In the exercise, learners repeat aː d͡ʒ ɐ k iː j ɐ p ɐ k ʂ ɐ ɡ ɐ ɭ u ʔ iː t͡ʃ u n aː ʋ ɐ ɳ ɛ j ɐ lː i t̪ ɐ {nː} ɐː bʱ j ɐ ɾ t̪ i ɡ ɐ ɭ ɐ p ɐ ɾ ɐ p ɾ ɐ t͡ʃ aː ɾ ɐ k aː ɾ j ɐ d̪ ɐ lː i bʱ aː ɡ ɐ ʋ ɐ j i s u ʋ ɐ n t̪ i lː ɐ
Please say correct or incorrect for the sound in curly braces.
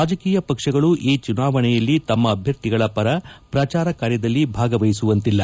incorrect